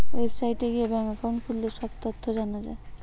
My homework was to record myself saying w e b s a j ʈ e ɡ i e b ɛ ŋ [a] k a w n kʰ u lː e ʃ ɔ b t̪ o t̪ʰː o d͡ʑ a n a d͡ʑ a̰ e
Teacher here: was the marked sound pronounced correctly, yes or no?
yes